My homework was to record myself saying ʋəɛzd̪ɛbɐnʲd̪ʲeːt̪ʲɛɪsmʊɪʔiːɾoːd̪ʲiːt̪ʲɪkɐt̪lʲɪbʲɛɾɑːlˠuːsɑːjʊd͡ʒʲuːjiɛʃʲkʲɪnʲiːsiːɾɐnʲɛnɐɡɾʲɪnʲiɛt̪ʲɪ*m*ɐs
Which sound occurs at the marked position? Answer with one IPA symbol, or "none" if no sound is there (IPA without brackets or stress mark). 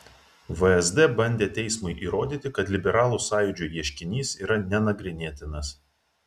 n